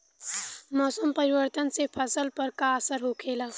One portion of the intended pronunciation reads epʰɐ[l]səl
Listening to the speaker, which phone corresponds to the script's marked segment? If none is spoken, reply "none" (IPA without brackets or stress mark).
none